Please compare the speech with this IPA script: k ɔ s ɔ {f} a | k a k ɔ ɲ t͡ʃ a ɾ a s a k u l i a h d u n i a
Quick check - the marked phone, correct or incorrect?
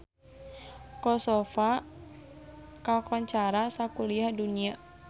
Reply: correct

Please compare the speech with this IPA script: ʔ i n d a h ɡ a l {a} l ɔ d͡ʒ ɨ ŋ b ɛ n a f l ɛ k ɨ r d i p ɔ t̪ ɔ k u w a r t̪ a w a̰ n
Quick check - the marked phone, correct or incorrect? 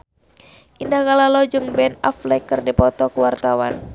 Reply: correct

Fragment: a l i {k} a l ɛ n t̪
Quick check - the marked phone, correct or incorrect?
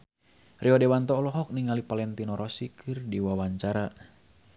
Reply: incorrect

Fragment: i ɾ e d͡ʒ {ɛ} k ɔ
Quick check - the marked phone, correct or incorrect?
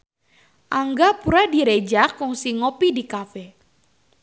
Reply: incorrect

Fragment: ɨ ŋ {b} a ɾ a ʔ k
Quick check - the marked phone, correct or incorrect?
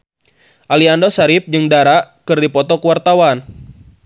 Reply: incorrect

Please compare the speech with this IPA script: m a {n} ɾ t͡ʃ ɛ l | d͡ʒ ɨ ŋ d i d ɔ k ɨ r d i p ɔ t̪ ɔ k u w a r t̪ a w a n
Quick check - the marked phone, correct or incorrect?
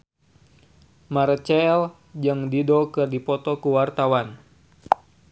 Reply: incorrect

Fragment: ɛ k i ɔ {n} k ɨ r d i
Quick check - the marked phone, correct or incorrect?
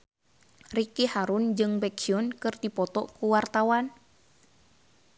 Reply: correct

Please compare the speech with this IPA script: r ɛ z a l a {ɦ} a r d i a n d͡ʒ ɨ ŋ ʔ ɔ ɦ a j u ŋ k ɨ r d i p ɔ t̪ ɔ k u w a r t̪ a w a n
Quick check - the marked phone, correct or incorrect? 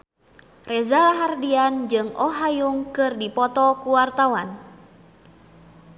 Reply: correct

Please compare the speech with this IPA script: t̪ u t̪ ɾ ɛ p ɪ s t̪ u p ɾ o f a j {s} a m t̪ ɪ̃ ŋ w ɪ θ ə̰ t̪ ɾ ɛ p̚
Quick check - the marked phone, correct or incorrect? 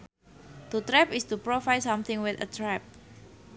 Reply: correct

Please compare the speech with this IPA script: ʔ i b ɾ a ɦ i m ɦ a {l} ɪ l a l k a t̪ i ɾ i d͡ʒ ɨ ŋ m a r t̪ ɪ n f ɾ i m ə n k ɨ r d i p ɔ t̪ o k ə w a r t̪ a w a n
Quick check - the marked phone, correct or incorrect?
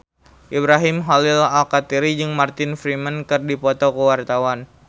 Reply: correct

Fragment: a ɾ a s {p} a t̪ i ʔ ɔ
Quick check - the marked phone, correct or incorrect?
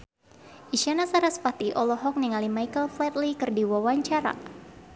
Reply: correct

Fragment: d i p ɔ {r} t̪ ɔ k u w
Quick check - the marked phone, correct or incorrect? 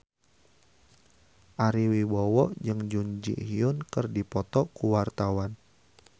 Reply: incorrect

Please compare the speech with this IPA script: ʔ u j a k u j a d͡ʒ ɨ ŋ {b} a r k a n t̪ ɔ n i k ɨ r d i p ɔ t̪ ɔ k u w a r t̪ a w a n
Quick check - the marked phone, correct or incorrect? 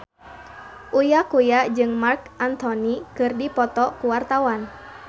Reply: incorrect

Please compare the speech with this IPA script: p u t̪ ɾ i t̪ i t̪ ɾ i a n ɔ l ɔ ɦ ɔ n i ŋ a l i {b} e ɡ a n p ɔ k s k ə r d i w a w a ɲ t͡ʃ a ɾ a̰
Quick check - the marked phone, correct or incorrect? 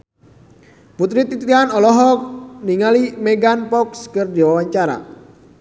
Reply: incorrect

